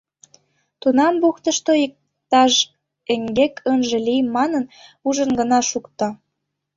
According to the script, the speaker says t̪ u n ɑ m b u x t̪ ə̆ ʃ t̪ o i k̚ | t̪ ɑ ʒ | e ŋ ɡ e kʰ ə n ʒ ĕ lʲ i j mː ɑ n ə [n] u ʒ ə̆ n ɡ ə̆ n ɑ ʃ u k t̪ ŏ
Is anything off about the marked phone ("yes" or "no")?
no